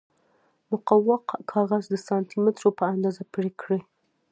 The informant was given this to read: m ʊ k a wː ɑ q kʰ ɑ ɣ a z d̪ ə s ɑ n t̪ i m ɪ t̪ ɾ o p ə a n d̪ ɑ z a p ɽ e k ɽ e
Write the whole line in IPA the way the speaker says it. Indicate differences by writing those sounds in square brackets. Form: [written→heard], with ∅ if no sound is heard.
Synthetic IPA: m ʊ [k→q] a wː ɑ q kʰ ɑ ɣ a z d̪ ə s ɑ n t̪ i m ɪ t̪ ɾ o p ə a n d̪ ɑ z a p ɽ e k ɽ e